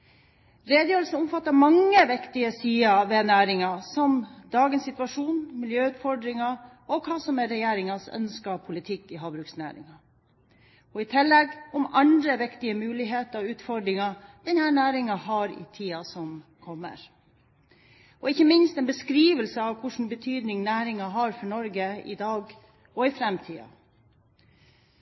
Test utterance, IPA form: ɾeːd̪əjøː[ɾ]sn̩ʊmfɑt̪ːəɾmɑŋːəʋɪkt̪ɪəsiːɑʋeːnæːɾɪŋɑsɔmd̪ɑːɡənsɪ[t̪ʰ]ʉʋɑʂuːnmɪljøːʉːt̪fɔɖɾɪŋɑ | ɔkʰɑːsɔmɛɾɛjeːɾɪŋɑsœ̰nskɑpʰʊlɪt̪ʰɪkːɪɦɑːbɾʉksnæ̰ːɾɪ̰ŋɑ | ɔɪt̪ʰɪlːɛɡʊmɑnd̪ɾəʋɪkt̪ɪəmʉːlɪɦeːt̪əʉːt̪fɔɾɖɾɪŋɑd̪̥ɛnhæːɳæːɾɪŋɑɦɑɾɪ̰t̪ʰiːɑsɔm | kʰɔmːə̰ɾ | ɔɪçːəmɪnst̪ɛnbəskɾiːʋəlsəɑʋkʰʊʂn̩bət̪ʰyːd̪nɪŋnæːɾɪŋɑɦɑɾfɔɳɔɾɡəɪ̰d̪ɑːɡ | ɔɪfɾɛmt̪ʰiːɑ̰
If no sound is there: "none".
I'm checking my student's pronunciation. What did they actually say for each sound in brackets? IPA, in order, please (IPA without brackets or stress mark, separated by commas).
l, t̪